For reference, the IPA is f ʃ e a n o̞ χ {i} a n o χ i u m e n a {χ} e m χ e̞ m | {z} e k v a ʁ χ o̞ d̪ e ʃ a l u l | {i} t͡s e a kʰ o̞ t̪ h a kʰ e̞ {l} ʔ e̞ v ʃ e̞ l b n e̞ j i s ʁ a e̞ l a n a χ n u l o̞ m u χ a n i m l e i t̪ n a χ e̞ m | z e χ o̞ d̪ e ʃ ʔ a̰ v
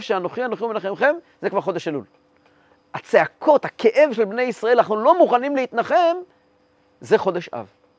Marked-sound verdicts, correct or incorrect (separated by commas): correct, correct, correct, incorrect, incorrect